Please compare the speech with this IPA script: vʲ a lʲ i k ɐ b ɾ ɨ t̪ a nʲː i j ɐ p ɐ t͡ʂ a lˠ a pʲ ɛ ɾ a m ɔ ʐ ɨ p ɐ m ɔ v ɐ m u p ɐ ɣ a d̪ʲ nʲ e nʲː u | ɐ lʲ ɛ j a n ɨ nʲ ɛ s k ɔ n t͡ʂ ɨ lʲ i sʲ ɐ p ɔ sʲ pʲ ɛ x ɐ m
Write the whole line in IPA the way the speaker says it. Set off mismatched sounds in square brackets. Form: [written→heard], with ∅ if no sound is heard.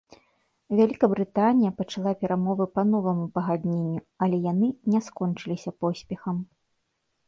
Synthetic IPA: vʲ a lʲ i k ɐ b ɾ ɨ t̪ a [nʲː→nʲ] i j ɐ p ɐ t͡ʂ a lˠ a pʲ ɛ ɾ a m ɔ [ʐ→v] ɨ p ɐ [m→n] ɔ v ɐ m u p ɐ ɣ a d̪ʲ nʲ e nʲː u | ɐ lʲ ɛ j a n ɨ nʲ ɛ s k ɔ n t͡ʂ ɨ lʲ i sʲ ɐ p ɔ sʲ pʲ ɛ x ɐ m